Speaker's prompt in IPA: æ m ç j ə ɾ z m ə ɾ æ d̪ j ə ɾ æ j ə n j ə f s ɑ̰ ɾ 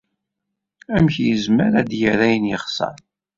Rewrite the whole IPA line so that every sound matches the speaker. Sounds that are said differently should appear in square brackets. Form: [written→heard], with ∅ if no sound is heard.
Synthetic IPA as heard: æ m ç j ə [ɾ→∅] z m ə ɾ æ d̪ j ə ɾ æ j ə n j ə [f→χ] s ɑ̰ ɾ